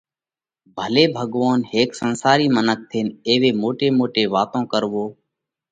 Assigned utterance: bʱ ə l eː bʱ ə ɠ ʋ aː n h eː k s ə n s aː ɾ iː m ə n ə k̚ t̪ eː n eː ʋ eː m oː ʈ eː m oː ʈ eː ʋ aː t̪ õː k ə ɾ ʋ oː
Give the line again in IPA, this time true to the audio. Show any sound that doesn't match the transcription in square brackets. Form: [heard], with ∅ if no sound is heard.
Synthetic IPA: bʱ ə l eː bʱ ə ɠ ʋ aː n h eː k s ə n s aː ɾ iː m ə n ə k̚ [t̪ʰ] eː n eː ʋ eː m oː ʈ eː m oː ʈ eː ʋ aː t̪ õː k ə ɾ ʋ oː

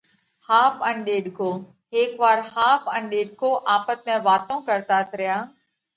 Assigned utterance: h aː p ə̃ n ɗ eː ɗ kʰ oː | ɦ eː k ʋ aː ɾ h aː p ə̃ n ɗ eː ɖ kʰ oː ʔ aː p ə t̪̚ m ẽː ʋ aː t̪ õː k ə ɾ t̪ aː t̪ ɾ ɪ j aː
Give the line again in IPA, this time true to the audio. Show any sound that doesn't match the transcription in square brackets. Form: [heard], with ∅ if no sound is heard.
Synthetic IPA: h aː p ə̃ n ɗ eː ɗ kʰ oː | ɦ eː k ʋ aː ɾ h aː p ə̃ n ɗ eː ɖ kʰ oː ʔ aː p ə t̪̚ m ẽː ʋ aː t̪ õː k ə ɾ t̪ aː t̪ ɾ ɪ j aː

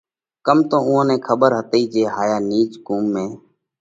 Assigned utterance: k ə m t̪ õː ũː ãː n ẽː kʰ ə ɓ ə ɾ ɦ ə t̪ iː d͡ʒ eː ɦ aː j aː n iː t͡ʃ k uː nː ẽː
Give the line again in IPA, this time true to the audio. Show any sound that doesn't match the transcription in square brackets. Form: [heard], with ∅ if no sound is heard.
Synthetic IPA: k ə m t̪ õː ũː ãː n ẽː kʰ ə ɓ ə ɾ ɦ ə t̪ iː d͡ʒ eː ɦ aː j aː n iː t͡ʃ k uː [mː] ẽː

